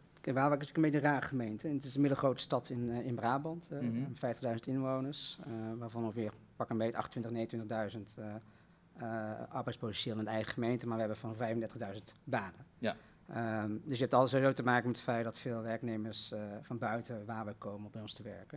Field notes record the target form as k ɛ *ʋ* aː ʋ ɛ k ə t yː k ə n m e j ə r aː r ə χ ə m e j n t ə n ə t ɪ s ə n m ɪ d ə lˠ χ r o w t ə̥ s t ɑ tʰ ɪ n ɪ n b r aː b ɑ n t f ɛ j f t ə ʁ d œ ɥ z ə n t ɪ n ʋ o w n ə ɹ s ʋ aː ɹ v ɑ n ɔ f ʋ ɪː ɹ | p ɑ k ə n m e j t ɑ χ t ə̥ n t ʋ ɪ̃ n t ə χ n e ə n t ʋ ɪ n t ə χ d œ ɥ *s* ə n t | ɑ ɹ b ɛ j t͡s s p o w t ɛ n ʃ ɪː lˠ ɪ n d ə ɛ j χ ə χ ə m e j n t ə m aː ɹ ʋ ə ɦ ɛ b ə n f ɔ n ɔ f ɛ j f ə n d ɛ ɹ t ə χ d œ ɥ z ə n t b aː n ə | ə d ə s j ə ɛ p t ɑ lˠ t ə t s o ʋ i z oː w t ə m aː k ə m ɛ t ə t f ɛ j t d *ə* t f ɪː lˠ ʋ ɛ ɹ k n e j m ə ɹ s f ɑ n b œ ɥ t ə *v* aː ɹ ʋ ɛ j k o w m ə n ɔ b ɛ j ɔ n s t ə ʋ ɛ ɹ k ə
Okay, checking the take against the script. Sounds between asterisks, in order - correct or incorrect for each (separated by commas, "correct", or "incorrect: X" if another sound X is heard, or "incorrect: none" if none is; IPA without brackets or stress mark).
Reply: correct, incorrect: z, incorrect: ɑ, incorrect: ʋ